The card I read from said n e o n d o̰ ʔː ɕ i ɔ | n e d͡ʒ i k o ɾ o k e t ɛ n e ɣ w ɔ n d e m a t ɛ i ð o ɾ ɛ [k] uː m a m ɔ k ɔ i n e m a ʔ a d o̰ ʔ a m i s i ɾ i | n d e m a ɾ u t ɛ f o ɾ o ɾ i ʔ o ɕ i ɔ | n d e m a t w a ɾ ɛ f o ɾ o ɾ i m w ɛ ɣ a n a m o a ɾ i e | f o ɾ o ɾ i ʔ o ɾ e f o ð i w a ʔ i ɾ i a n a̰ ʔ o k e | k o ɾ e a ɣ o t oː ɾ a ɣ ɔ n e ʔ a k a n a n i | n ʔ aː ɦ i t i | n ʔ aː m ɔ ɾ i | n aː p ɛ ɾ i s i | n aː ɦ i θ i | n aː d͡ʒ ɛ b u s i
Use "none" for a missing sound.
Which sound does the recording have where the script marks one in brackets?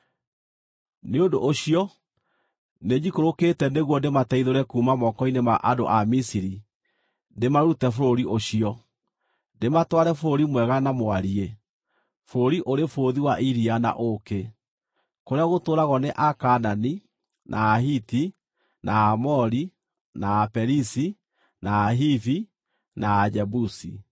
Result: k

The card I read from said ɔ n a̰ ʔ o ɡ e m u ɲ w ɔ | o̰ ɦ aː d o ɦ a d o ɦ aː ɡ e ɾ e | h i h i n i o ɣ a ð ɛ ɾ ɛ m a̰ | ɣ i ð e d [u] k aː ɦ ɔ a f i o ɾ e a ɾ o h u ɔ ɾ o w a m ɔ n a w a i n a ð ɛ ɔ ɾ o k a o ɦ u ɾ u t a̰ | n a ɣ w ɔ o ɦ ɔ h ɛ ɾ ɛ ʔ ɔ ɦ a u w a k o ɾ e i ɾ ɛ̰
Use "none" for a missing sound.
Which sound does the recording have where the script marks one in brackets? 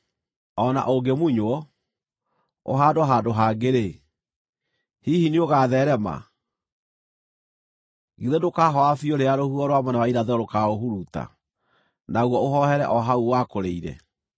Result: o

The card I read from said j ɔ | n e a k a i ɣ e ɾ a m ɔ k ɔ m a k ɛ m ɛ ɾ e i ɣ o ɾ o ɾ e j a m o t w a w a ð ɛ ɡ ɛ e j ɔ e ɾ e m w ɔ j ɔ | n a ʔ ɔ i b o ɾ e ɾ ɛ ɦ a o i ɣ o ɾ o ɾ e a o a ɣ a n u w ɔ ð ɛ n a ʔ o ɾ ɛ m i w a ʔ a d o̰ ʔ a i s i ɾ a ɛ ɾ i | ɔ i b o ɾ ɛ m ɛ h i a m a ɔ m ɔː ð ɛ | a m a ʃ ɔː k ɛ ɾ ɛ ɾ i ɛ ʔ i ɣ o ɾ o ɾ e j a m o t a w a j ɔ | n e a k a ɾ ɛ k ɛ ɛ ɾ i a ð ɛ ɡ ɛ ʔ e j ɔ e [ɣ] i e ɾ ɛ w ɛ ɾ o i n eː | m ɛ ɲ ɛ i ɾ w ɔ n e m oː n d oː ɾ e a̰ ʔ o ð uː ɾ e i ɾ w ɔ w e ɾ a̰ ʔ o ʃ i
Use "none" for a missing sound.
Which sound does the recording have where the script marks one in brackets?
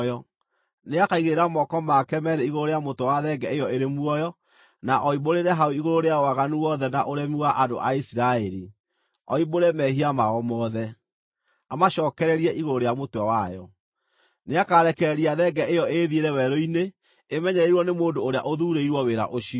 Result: ð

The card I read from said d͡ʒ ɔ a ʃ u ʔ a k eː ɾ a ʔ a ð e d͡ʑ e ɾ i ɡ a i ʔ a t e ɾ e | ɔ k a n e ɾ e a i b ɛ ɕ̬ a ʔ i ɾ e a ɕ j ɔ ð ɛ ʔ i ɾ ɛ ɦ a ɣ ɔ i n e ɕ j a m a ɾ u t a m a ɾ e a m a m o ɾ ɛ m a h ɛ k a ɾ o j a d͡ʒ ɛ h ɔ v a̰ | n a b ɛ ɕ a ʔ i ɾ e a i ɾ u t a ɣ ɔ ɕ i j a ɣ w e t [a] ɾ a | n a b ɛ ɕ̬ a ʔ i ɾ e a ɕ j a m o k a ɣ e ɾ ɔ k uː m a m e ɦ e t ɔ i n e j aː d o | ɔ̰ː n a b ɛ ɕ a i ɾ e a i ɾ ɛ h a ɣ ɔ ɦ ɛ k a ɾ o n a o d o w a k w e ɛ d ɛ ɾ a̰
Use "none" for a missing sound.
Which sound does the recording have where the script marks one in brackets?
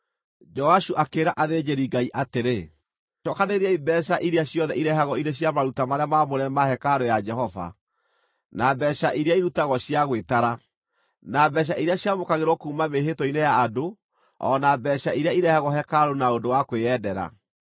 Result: a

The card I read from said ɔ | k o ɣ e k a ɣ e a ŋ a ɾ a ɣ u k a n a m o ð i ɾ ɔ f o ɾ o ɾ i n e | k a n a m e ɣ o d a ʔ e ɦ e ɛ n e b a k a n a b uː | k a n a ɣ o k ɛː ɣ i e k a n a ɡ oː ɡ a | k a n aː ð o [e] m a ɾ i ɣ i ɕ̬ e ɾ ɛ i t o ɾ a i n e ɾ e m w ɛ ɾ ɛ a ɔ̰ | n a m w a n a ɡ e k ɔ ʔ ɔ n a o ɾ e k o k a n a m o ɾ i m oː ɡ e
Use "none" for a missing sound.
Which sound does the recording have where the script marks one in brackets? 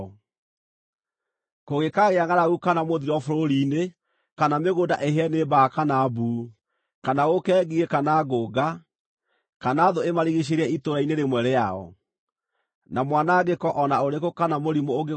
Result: e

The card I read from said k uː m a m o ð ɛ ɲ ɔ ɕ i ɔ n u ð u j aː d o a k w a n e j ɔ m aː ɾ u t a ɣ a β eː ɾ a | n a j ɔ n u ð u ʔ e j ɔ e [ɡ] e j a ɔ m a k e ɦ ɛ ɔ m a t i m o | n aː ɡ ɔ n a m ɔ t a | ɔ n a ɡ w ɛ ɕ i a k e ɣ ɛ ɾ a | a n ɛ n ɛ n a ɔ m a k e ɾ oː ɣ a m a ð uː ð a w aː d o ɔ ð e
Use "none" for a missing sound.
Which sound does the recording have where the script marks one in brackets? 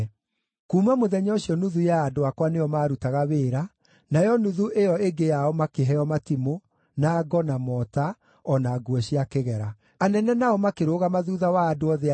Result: ɡ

